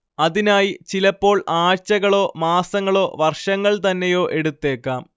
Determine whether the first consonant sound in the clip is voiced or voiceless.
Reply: voiced